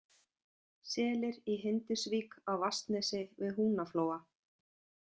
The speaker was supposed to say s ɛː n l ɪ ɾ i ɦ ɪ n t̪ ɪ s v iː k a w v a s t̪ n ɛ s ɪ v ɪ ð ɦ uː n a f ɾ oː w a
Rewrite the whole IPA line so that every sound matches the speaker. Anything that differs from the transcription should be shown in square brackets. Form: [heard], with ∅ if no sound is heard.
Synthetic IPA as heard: s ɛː [∅] l ɪ ɾ i ɦ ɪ n t̪ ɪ s v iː k a w v a s t̪ n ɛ s ɪ v ɪ ð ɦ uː n a f [l] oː w a